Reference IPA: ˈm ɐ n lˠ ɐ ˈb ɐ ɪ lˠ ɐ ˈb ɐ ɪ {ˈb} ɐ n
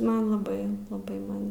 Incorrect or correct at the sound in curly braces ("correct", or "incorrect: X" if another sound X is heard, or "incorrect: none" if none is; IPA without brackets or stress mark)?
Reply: incorrect: m